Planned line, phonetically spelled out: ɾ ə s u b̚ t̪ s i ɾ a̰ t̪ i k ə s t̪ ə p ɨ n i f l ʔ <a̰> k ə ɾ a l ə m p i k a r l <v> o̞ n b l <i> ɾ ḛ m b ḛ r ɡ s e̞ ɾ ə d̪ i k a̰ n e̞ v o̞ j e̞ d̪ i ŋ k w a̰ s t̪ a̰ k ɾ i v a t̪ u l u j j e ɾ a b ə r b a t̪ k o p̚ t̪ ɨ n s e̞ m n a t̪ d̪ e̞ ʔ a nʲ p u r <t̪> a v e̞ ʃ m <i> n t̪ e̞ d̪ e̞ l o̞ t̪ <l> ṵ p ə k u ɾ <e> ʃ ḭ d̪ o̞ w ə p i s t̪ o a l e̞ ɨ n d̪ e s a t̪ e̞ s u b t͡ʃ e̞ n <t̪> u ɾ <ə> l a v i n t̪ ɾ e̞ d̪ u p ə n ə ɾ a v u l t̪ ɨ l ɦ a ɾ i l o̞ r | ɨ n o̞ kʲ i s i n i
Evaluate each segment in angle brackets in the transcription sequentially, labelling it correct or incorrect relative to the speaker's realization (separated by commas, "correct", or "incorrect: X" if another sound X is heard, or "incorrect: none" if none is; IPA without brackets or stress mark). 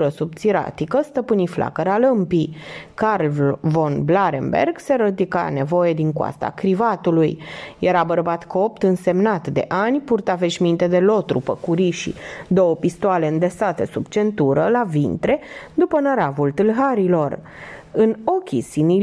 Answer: correct, correct, incorrect: a, correct, correct, incorrect: ɾ, incorrect: i, correct, correct